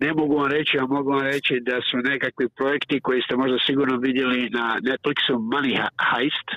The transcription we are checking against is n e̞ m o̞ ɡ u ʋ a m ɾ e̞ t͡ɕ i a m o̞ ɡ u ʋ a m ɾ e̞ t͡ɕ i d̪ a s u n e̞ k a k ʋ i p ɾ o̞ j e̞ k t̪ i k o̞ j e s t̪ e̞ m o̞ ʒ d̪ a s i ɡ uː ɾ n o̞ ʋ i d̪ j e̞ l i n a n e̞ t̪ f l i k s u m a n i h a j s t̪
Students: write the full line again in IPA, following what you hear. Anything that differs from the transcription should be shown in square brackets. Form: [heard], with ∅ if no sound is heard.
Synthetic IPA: n e̞ m o̞ ɡ u ʋ a m ɾ e̞ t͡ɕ i a m o̞ ɡ u ʋ a m ɾ e̞ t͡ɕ i d̪ a s u n e̞ k a k ʋ i p ɾ o̞ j e̞ k t̪ i k o̞ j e s t̪ e̞ m o̞ ʒ d̪ a s i ɡ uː ɾ n o̞ ʋ i d̪ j e̞ l i n a n e̞ t̪ f l i k s u m a n i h a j s t̪